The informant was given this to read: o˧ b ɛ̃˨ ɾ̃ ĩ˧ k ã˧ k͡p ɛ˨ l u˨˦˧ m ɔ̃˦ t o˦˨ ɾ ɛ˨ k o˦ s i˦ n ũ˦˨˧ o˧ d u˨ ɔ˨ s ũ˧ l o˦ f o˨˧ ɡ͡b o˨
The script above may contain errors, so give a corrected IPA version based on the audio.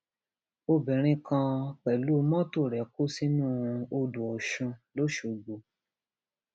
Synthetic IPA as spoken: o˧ b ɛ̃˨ ɾ̃ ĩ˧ k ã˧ k͡p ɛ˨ l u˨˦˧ m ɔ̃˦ t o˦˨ ɾ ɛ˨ k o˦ s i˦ n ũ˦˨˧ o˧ d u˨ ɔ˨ ʃ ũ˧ l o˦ ʃ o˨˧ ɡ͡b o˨